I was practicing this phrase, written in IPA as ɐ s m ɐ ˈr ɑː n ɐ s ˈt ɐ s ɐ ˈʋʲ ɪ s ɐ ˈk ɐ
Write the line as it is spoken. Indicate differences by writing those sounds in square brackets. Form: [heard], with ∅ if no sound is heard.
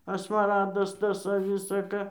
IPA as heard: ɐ s m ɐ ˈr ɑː [d] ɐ s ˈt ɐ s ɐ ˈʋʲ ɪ s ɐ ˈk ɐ

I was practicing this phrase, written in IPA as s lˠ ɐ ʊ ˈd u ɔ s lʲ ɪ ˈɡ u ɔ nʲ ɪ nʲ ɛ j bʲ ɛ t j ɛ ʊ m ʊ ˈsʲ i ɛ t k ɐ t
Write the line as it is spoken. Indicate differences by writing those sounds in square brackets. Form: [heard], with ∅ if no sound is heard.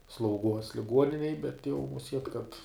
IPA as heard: s lˠ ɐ ʊ [ˈɡ] u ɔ s lʲ ɪ ˈɡ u ɔ nʲ ɪ nʲ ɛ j bʲ ɛ t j ɛ ʊ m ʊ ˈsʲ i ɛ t k ɐ t

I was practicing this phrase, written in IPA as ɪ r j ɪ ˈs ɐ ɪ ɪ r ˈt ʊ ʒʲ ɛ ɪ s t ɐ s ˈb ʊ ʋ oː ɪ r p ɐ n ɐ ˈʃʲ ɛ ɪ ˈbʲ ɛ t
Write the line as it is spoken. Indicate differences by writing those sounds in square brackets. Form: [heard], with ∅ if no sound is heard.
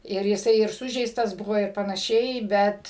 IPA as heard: ɪ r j ɪ ˈs ɐ ɪ ɪ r [ˈs] ʊ ʒʲ ɛ ɪ s t ɐ s ˈb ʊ ʋ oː ɪ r p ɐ n ɐ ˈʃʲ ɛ ɪ ˈbʲ ɛ t

